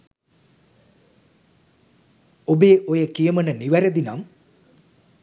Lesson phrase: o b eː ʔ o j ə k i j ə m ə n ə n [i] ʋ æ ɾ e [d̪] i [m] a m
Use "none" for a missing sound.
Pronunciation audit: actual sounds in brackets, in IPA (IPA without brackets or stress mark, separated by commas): i, d̪, n